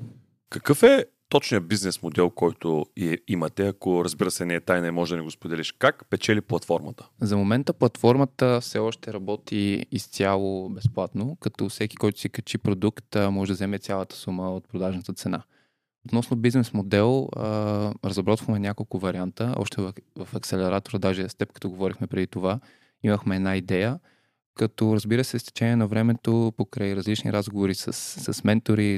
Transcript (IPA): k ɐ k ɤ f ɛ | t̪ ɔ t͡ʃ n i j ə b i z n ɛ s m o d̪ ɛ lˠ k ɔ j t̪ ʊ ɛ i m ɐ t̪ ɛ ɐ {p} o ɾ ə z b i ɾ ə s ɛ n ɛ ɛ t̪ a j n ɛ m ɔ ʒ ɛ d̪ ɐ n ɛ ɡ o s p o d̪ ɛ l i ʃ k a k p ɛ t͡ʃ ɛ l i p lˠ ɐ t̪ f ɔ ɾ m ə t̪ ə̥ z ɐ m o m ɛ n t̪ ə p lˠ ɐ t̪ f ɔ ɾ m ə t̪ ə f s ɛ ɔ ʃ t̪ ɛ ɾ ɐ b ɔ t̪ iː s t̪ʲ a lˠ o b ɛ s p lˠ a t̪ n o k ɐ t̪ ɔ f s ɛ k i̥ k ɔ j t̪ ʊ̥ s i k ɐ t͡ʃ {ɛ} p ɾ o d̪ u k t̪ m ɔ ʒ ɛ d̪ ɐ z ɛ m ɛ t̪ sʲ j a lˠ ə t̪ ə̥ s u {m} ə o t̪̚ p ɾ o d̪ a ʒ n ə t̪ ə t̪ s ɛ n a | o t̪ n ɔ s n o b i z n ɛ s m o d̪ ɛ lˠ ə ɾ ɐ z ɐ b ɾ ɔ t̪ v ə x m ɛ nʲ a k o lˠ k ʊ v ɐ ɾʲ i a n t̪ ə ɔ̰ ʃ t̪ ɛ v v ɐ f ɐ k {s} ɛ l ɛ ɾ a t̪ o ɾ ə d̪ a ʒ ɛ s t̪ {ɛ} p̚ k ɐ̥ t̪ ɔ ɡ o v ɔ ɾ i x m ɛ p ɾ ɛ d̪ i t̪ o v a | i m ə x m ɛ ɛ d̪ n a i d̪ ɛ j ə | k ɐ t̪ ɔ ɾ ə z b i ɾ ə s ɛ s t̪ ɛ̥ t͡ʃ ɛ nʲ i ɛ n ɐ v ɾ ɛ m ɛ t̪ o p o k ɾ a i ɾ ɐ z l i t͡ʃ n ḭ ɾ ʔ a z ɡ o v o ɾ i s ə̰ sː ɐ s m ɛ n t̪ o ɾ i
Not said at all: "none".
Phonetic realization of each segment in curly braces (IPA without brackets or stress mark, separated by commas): k, i, m, s, ɛ